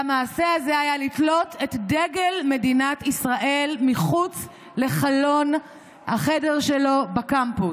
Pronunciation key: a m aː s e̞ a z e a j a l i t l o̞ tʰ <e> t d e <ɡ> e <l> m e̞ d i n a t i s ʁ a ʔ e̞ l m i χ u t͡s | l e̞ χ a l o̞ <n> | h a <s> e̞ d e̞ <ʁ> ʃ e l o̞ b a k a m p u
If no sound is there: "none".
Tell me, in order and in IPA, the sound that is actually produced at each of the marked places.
e, ɡ, l, n, χ, ʁ

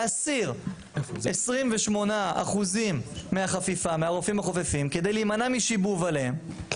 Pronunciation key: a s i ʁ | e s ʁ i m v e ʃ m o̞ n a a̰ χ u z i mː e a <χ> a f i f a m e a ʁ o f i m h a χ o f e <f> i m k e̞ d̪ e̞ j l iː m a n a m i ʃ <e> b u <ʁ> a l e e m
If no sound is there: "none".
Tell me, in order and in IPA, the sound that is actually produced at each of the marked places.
χ, f, i, v

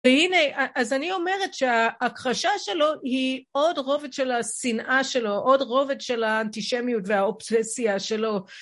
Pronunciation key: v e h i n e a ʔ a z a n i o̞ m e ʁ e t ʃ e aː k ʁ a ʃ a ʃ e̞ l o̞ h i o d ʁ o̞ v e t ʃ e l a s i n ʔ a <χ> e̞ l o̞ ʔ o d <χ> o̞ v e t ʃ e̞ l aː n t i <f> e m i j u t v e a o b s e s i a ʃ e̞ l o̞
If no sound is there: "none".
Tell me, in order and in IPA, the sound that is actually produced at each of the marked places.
ʃ, ʁ, ʃ

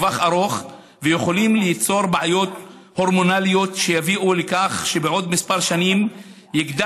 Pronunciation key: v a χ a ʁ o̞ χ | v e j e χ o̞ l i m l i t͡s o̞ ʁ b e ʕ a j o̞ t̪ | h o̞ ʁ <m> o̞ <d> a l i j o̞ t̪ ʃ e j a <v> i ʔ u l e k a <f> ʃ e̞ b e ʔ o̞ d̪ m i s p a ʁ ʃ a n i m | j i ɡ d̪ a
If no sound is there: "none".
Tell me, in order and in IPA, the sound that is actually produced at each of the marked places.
m, n, v, χ

